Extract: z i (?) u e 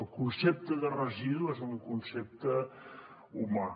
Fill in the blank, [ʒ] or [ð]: ð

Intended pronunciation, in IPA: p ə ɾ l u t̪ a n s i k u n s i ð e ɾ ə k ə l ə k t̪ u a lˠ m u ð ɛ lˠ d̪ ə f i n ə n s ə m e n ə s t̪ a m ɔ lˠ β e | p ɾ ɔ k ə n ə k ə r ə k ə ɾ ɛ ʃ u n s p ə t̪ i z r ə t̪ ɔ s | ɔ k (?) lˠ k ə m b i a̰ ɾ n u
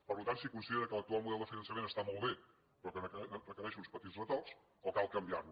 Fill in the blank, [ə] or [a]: a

